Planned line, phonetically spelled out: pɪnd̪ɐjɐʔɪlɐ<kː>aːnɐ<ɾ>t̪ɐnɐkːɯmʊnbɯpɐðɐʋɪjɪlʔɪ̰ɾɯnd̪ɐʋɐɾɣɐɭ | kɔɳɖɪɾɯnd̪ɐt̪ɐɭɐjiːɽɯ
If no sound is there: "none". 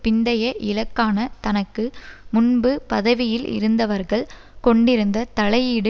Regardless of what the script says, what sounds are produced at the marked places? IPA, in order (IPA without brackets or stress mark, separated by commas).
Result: kː, none